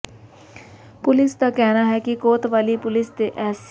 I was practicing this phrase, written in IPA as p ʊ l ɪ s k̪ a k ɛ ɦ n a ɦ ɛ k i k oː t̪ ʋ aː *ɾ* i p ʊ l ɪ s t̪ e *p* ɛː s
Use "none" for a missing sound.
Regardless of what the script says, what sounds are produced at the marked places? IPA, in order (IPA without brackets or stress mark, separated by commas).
l, ʔ